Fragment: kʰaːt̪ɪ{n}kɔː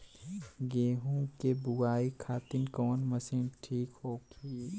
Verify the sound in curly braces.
correct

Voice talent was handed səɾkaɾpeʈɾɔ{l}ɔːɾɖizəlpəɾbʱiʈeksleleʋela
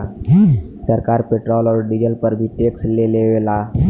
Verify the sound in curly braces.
correct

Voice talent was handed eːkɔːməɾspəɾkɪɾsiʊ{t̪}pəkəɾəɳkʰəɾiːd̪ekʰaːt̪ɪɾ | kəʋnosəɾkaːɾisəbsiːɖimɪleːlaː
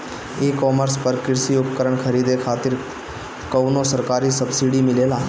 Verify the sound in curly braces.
incorrect: none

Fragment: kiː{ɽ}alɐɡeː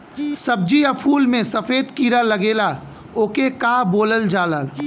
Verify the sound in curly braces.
incorrect: ɾ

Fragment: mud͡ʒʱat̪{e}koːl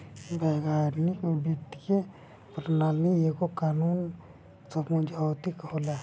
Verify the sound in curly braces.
incorrect: i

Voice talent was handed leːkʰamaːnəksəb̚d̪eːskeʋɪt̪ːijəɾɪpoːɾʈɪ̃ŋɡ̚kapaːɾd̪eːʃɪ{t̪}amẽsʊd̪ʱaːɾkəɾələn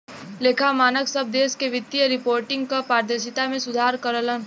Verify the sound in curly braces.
correct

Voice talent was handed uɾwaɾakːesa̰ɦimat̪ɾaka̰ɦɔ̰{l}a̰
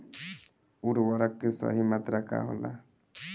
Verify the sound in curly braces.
correct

